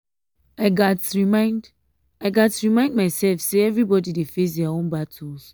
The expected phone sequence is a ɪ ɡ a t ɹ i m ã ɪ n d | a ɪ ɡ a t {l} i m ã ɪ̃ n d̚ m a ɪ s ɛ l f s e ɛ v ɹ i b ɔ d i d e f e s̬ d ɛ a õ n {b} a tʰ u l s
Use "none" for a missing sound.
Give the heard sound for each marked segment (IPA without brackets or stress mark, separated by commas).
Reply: ɹ, b